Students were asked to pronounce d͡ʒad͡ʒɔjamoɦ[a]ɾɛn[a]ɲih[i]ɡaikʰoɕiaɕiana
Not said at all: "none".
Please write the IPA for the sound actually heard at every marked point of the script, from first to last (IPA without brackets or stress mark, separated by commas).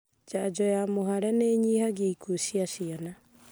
a, e, a